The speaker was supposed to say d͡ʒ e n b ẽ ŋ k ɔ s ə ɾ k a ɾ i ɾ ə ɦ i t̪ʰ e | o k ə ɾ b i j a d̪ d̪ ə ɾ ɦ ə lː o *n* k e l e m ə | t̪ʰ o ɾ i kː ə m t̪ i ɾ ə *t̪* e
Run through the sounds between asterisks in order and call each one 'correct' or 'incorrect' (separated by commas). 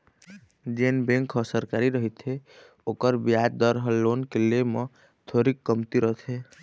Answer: correct, incorrect